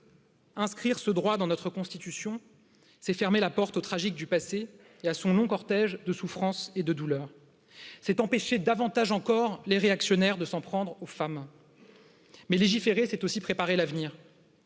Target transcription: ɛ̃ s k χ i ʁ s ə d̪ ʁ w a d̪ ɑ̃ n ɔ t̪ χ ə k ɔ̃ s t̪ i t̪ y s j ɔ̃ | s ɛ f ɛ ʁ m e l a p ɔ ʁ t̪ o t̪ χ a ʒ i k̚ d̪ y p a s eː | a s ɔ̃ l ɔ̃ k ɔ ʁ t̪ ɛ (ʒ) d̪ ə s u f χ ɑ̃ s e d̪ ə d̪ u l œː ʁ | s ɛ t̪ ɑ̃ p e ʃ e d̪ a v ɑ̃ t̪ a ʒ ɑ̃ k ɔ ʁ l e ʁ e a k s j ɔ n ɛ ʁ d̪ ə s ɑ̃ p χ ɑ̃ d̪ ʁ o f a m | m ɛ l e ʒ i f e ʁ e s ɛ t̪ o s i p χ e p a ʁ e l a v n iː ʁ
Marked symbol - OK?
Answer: yes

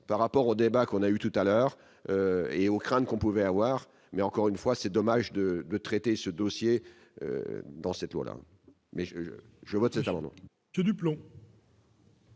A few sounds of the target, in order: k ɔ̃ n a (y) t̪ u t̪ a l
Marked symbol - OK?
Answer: yes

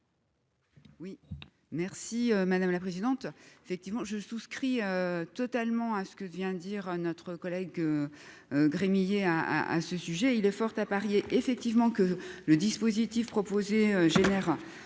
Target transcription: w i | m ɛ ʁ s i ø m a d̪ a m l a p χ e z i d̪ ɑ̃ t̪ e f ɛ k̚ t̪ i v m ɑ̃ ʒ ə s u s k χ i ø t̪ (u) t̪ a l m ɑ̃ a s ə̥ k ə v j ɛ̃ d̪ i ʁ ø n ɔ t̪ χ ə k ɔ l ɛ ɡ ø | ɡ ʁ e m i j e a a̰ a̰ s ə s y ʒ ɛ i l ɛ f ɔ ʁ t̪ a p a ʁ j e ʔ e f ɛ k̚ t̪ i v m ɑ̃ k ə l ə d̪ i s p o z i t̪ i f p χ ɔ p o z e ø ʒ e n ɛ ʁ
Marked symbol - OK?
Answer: no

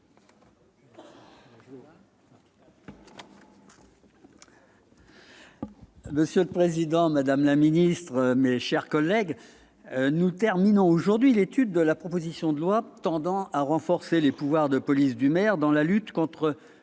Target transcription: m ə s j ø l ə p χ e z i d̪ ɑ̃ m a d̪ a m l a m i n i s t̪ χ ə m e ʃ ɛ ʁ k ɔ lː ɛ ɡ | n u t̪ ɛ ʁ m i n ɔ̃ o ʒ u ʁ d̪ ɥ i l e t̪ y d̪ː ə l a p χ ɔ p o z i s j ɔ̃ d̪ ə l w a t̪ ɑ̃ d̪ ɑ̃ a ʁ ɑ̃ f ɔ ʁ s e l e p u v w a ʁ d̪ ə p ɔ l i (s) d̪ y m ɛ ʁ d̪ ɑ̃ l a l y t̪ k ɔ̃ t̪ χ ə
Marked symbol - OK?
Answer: yes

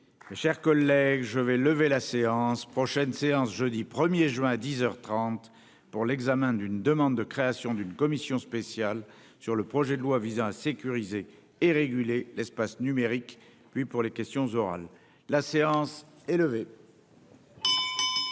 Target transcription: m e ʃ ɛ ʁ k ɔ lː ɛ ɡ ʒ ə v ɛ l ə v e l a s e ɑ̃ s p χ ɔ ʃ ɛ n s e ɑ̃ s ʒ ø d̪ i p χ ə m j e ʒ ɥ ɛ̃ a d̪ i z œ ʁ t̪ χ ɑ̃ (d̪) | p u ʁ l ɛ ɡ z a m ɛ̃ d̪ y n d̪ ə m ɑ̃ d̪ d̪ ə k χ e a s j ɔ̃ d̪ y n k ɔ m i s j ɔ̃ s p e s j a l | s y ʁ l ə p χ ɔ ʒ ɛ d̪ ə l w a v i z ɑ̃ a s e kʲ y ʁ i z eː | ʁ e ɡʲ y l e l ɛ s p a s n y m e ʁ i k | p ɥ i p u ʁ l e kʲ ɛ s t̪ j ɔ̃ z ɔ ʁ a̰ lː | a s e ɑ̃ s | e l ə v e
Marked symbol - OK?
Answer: no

